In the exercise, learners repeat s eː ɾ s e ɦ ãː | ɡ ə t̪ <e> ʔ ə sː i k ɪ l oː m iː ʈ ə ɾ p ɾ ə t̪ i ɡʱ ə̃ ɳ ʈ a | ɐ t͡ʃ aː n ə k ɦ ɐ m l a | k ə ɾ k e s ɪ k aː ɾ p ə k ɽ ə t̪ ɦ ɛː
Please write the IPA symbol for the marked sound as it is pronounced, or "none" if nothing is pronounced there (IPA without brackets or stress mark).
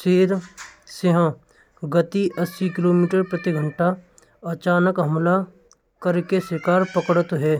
i